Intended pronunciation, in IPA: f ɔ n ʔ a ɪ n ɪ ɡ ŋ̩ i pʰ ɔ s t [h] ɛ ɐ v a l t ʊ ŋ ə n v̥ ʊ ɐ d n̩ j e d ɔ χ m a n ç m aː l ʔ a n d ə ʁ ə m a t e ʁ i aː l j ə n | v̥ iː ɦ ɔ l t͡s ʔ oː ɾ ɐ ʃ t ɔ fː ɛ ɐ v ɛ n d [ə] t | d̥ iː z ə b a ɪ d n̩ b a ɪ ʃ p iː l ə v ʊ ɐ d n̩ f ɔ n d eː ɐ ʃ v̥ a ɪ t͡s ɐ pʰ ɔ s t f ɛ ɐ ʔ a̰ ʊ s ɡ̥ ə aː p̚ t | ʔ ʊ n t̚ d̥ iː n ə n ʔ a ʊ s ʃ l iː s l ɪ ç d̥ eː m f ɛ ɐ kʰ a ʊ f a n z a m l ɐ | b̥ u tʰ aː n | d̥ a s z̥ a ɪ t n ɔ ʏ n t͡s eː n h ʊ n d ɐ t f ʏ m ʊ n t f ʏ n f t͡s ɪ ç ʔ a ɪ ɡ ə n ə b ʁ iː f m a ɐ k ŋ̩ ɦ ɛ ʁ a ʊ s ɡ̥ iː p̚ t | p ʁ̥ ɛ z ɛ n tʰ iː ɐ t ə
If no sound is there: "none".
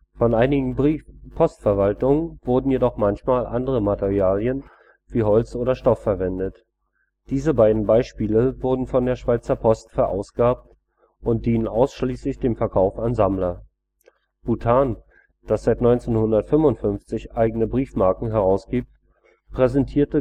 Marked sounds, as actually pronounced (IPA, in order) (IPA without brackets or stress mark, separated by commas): f, ə